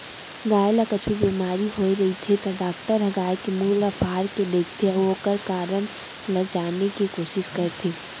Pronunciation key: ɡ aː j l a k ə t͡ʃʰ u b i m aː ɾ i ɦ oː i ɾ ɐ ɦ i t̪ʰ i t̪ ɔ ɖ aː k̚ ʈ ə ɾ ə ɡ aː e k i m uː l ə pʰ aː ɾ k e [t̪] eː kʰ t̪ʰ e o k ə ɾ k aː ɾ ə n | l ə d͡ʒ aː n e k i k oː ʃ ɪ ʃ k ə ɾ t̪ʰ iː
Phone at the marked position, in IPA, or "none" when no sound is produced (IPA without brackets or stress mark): d̪